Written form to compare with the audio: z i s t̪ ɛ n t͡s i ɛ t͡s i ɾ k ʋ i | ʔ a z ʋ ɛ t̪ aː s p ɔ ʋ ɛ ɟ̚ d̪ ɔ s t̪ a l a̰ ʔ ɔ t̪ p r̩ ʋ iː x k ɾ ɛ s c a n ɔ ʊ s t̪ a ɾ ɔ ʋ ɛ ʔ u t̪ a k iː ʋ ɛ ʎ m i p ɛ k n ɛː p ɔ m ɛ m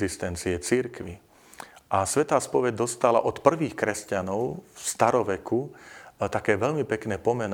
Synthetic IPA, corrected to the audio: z i s t̪ ɛ n t͡s i ɛ t͡s i ɾ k ʋ i | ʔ a s ʋ ɛ t̪ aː s p ɔ ʋ ɛ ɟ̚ d̪ ɔ s t̪ a l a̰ ʔ ɔ t̪ p r̩ ʋ iː x k ɾ ɛ s c a n ɔ ʊ s t̪ a ɾ ɔ ʋ ɛ k u t̪ a k ɛː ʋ ɛ ʎ m i p ɛ k n ɛː p ɔ m ɛ n